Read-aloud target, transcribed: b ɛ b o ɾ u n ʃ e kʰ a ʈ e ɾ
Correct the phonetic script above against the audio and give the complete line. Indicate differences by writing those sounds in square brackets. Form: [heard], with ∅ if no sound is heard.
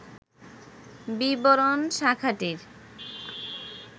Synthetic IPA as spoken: b [i] b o ɾ [o] n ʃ [a] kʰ a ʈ [i] ɾ